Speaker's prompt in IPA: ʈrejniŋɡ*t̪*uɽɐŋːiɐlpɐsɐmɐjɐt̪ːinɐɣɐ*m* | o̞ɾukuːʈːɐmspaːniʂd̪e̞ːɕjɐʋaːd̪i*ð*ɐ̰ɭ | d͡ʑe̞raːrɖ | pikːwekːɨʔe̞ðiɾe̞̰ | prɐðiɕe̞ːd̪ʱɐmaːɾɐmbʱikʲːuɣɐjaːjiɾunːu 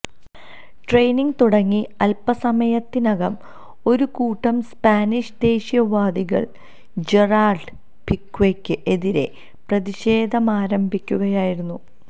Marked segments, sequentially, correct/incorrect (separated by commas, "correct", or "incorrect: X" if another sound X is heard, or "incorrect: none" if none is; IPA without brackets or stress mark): correct, correct, incorrect: ɣ